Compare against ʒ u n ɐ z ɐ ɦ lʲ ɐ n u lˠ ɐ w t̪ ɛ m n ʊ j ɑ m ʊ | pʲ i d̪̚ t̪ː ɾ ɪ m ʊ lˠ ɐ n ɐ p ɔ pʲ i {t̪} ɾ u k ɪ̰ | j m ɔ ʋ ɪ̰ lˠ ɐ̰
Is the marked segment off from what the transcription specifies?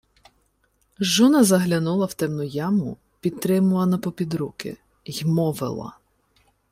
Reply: yes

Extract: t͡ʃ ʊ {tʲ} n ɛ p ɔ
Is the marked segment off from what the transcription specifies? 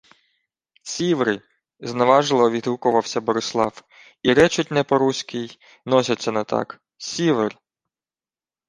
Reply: no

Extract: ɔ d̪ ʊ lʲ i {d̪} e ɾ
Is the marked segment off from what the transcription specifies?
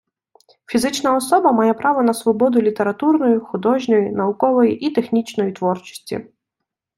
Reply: yes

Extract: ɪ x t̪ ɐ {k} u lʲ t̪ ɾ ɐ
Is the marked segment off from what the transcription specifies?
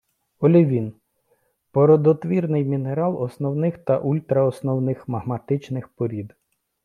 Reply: yes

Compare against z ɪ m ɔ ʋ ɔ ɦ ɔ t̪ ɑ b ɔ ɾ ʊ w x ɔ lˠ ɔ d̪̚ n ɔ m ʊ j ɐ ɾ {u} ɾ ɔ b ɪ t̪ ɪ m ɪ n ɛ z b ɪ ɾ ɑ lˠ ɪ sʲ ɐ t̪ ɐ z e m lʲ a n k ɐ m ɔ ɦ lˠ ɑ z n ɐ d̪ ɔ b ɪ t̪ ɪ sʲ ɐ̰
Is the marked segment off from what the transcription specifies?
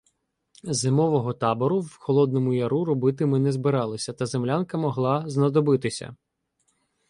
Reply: no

